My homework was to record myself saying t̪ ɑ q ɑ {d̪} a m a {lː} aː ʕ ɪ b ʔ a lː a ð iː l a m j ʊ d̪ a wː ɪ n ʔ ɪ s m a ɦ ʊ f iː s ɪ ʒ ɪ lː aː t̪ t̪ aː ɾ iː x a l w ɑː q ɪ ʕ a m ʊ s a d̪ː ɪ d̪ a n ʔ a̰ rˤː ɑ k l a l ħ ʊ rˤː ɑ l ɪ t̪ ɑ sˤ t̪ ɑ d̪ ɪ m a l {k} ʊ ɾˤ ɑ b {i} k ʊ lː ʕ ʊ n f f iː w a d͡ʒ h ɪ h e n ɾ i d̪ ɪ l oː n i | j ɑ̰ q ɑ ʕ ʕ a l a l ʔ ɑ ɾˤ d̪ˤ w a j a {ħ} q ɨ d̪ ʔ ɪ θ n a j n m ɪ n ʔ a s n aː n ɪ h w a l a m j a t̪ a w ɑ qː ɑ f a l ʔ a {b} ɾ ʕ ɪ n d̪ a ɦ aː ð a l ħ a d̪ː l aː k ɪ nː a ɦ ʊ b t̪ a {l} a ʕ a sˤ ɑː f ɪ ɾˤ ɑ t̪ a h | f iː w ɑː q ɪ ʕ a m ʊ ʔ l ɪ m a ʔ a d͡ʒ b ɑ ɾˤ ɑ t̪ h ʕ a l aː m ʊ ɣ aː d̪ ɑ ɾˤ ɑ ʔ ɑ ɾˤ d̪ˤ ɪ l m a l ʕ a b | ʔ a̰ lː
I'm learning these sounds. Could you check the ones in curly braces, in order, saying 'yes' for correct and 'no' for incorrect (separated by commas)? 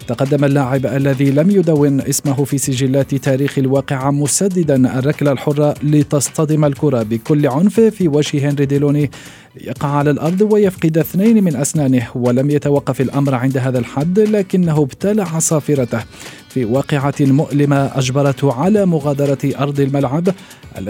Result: no, yes, yes, no, no, no, yes